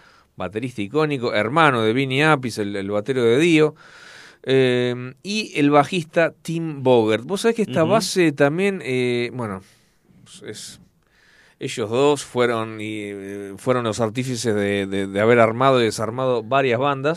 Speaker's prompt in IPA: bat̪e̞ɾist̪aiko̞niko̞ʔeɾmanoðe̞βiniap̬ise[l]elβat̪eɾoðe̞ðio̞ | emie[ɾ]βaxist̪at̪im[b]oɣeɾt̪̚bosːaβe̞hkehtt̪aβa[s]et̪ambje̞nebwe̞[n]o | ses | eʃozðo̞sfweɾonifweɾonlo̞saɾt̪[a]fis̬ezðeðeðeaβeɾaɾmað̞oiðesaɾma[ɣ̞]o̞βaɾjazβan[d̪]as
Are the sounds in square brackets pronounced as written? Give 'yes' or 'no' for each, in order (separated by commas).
yes, no, yes, yes, yes, no, no, yes